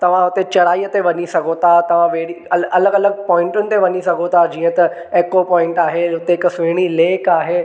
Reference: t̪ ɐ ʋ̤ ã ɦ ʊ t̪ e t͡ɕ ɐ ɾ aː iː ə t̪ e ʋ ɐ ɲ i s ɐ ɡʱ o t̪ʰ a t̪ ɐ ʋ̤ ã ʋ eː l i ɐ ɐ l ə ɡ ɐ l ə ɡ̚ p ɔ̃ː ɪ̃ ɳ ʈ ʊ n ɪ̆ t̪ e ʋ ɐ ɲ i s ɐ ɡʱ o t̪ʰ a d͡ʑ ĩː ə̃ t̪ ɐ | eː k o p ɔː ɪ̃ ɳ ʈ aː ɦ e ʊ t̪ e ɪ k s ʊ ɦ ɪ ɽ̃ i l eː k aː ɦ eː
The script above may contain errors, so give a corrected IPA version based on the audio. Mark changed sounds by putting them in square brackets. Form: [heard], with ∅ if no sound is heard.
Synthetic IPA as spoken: t̪ ɐ ʋ̤ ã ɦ ʊ t̪ e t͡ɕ ɐ ɾ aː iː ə t̪ e ʋ ɐ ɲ i s ɐ ɡʱ o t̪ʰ a t̪ ɐ ʋ̤ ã ʋ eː [ɽ] i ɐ ɐ l ə ɡ ɐ l ə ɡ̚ p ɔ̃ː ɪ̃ ɳ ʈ ʊ n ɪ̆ t̪ e ʋ ɐ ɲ i s ɐ ɡʱ o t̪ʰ a d͡ʑ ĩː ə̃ t̪ ɐ | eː k o p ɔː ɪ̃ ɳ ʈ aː ɦ e ʊ t̪ e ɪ k s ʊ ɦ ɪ ɽ̃ i l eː k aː ɦ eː